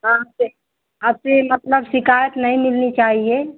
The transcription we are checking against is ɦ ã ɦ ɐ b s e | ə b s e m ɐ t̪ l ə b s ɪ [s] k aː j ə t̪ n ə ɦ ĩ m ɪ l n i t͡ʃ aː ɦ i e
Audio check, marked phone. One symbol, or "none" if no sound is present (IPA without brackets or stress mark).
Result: none